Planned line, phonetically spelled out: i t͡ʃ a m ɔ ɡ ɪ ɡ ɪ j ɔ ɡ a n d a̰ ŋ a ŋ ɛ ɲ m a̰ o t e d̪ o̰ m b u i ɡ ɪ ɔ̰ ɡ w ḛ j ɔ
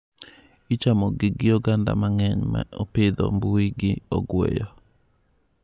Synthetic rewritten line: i t͡ʃ a m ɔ ɡ ɪ ɡ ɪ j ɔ ɡ a n d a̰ m a ŋ ɛ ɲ m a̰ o p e d̪ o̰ m b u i ɡ ɪ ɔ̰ ɡ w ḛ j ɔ